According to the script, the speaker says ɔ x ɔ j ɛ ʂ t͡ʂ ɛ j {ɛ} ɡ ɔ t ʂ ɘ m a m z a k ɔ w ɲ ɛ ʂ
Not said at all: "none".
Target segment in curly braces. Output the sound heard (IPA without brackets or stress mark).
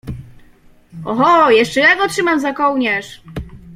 a